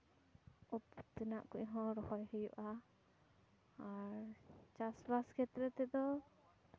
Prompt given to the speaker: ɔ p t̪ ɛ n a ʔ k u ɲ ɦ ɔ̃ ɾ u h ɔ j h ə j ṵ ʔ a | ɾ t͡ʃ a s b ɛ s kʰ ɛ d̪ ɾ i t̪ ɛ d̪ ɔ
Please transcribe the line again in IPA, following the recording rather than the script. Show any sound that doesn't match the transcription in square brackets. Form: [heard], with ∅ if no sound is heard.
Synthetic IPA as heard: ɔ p t̪ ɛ n a ʔ k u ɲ ɦ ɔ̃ ɾ [ɔ] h ɔ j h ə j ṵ ʔ a | ɾ t͡ʃ a s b [a] s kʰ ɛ [t̪] ɾ [ɛ] t̪ ɛ d̪ ɔ